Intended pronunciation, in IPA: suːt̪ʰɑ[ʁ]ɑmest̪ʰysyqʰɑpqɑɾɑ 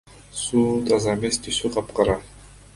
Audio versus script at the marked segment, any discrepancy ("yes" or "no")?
yes